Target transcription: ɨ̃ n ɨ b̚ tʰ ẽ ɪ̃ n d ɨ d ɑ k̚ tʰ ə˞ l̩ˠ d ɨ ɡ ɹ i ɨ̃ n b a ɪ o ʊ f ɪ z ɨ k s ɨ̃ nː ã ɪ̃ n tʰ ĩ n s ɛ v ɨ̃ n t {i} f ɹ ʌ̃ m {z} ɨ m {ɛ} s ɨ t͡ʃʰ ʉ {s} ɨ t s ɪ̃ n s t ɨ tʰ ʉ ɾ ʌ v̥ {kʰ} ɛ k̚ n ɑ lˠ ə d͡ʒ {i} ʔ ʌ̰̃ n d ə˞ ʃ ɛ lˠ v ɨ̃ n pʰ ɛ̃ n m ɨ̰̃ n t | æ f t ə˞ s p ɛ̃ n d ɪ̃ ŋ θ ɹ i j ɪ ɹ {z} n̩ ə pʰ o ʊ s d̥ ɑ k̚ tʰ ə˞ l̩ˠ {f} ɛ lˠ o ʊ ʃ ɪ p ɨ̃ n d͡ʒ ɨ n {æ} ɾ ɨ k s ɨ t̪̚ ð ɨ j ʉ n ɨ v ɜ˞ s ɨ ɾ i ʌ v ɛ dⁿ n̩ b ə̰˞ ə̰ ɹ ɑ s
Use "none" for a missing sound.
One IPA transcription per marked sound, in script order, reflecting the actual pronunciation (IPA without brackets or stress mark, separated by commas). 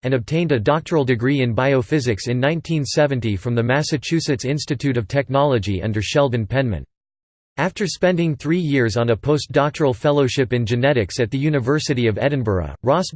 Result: i, ð, æ, s, tʰ, i, z, f, ɛ